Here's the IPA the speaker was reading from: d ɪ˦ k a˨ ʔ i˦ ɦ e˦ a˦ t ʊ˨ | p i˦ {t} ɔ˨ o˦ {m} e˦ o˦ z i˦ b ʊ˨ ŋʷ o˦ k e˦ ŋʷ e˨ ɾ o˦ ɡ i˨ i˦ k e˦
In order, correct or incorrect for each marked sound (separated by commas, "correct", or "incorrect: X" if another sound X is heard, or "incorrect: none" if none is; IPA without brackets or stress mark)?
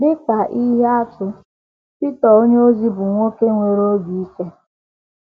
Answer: correct, incorrect: ɲ